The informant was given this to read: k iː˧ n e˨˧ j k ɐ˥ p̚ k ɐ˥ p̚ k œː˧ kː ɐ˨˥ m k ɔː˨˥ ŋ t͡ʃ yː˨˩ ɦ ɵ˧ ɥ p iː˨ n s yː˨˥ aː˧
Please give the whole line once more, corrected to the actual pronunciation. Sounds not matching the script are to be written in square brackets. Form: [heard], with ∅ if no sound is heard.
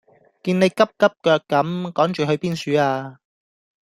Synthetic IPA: k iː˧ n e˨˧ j k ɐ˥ p̚ k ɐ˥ p̚ k œː˧ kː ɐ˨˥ m k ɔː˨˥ ŋ t͡ʃ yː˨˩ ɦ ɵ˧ ɥ p [iː˥] n s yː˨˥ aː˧